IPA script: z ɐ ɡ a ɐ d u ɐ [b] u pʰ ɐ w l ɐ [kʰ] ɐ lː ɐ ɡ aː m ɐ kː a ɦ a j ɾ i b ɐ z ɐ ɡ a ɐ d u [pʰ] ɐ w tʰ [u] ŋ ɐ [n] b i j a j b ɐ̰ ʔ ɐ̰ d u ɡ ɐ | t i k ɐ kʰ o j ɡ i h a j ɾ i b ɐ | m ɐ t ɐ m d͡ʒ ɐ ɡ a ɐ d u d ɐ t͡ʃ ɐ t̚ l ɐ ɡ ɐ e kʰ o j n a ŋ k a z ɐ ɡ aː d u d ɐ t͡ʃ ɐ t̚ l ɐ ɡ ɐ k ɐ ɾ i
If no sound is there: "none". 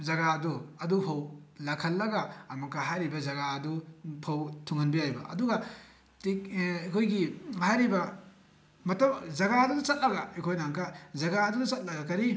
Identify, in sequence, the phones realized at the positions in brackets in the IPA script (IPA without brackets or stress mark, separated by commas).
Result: d, kʰ, pʰ, u, n